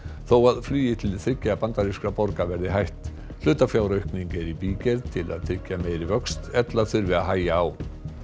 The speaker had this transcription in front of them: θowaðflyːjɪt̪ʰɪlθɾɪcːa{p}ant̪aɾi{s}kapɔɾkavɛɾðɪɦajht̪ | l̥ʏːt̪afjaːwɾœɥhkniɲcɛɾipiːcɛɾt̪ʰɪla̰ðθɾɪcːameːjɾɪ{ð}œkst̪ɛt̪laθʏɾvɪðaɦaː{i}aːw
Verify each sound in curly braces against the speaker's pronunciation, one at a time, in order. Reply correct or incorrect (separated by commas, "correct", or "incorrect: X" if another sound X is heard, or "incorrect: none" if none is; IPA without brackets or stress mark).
correct, correct, incorrect: v, incorrect: j